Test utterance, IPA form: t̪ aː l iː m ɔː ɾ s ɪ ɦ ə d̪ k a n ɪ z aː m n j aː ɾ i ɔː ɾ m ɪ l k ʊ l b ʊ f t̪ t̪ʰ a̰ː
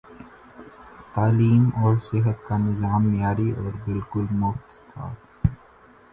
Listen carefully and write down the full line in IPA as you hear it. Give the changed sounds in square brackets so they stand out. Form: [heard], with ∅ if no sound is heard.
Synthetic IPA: t̪ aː l iː m ɔː ɾ s ɪ ɦ ə [t̪] k a n ɪ z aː m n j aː ɾ i ɔː ɾ [b] ɪ l k ʊ l [m] ʊ f t̪ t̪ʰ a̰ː